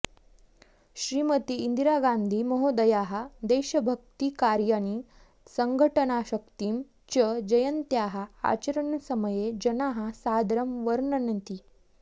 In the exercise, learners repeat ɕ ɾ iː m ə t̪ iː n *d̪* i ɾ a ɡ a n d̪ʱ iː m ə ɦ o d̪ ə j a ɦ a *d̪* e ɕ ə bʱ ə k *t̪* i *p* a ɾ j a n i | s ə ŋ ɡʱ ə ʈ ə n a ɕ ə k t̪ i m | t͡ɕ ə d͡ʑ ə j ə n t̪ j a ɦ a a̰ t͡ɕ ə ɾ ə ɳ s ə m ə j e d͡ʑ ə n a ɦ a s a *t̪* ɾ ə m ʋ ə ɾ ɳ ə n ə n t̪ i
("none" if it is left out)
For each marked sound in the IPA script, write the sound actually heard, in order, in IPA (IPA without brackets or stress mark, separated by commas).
d̪, d̪, t̪, k, d̪